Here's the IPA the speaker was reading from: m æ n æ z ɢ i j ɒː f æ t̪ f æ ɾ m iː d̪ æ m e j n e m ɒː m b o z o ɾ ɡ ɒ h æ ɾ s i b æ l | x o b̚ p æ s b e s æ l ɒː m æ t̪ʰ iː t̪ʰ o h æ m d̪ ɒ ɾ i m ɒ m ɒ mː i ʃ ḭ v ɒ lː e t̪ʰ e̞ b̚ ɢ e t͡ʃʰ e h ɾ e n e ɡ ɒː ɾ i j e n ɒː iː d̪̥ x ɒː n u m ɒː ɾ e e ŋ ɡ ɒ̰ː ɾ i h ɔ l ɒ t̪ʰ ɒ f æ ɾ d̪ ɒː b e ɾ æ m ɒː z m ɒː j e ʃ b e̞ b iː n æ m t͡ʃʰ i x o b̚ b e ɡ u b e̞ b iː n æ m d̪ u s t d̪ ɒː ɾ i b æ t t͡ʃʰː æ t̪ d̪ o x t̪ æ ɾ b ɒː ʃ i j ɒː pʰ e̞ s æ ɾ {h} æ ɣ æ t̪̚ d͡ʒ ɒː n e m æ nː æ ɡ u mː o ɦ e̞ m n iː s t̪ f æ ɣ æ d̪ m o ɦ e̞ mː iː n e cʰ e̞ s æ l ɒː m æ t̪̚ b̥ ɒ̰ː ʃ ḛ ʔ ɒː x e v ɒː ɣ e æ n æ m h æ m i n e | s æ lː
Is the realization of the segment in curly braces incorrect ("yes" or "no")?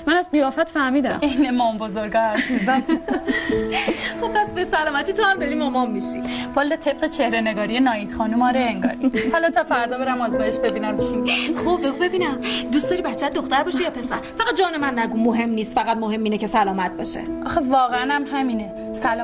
yes